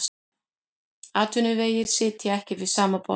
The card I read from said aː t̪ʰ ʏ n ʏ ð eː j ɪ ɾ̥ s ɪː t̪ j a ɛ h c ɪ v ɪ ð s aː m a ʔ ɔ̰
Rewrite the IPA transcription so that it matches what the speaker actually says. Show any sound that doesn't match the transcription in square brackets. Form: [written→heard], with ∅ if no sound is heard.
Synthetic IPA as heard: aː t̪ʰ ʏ n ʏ [ð→v] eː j ɪ ɾ̥ s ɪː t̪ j a ɛ h c ɪ v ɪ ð s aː m a [ʔ→p] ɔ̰